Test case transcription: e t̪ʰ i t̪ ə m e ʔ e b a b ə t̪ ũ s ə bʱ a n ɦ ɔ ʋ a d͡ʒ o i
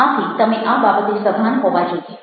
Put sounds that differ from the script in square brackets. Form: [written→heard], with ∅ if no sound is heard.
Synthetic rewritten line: [e→a] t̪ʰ i t̪ ə m e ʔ [e→a] b a b ə t̪ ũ s ə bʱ a n ɦ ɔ ʋ a d͡ʒ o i